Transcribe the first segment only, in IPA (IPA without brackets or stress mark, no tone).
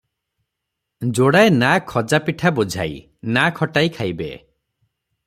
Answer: d͡ʒ